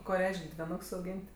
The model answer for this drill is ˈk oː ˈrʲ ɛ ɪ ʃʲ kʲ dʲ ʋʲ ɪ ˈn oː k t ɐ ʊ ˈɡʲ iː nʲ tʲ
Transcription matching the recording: ˈk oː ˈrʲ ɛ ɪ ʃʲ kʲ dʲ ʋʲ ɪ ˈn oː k s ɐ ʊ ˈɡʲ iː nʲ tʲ